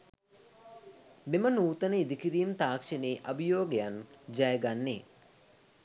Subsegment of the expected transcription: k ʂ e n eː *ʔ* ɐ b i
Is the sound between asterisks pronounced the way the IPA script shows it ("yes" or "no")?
yes